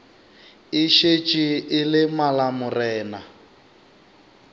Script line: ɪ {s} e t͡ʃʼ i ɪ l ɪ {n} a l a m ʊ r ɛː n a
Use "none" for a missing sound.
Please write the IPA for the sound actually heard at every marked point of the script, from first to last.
ʃ, m

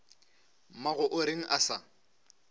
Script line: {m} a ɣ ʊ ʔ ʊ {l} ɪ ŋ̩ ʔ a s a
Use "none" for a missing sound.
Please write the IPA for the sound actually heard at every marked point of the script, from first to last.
m, ɾ

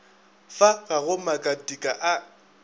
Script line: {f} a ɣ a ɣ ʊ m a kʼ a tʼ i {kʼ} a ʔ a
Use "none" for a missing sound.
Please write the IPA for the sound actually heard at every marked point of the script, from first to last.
f, kʼ

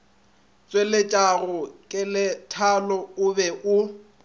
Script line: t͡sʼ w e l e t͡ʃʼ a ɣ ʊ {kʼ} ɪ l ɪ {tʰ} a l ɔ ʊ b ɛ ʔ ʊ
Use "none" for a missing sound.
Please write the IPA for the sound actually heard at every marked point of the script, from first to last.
kʼ, tʰ

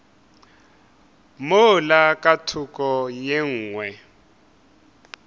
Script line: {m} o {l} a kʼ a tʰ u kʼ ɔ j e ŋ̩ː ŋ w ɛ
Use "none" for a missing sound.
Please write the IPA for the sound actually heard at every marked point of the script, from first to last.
m, l

